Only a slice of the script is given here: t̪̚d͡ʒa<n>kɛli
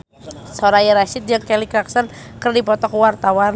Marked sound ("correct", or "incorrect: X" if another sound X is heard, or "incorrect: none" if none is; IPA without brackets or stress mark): incorrect: ŋ